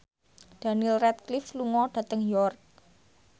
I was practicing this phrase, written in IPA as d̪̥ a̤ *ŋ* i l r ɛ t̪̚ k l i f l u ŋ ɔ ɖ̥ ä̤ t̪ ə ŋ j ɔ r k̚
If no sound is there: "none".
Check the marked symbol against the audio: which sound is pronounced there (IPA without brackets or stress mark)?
n